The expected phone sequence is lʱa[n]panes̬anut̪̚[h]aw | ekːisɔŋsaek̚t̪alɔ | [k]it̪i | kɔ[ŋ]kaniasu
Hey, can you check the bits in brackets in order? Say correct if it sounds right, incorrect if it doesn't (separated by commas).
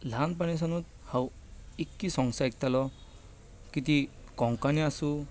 correct, correct, correct, correct